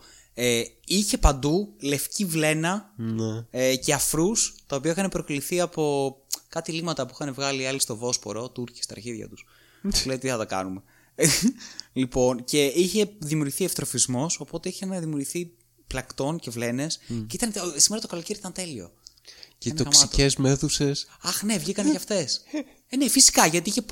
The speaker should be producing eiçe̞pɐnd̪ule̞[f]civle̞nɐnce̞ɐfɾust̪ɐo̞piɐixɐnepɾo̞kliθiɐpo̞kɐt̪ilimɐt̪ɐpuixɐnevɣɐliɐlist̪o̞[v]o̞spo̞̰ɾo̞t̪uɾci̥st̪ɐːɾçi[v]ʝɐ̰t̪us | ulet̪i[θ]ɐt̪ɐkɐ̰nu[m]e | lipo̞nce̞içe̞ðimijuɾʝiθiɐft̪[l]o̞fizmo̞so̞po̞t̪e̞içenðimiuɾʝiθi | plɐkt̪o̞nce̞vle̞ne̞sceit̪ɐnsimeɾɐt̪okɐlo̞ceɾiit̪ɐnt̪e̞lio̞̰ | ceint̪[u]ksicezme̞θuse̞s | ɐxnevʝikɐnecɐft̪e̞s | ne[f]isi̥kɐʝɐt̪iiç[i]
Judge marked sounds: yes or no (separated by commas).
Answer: yes, yes, no, yes, yes, no, no, yes, no